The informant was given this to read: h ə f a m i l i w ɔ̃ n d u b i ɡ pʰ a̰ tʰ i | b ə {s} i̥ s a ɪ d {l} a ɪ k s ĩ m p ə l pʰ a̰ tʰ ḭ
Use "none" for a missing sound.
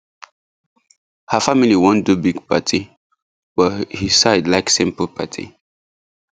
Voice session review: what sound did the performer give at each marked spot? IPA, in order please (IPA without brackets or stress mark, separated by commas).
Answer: h, l